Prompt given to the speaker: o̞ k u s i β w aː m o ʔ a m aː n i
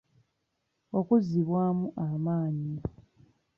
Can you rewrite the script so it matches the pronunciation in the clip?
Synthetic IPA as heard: o̞ k u z i β w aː m u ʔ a m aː ɲ i